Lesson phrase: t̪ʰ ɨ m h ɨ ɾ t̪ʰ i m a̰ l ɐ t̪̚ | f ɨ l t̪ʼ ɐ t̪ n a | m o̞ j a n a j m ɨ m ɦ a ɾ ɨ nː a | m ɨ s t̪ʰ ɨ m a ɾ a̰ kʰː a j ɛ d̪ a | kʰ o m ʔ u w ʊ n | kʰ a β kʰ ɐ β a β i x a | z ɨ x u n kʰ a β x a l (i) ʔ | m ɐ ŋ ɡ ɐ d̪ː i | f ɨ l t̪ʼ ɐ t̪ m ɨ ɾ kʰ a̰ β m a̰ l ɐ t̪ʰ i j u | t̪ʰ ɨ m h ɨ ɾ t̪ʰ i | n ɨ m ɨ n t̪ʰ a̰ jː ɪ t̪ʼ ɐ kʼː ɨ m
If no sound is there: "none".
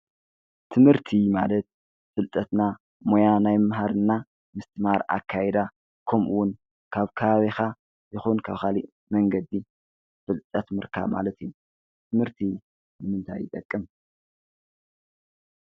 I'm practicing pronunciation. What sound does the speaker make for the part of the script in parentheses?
i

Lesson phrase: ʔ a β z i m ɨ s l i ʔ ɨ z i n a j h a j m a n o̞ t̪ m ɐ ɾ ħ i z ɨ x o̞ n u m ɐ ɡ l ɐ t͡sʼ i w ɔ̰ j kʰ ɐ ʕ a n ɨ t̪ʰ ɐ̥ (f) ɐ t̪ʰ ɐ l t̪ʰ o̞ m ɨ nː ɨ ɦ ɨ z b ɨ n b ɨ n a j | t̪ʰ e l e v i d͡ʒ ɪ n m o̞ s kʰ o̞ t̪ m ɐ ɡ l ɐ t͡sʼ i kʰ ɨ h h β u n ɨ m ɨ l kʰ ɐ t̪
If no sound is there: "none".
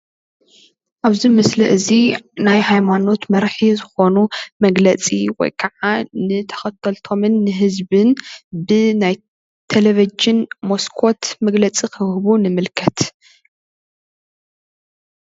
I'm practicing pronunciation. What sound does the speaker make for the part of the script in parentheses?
x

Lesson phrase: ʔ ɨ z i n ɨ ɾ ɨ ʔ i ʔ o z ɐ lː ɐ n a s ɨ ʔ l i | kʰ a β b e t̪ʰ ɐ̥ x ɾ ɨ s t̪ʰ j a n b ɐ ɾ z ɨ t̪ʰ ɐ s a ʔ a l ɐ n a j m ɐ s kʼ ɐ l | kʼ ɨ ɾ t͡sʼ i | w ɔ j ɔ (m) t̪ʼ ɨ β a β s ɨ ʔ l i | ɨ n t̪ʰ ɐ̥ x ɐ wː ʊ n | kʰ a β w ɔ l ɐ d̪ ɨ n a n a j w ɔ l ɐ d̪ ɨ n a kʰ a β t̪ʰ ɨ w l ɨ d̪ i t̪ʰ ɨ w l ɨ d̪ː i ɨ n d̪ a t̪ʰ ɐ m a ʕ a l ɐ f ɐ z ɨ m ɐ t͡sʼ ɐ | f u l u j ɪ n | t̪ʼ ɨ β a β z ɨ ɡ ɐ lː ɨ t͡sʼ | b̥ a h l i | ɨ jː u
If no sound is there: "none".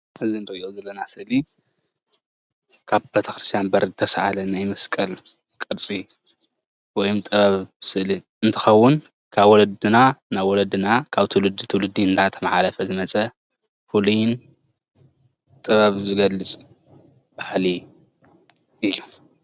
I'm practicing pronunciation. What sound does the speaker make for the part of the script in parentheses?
m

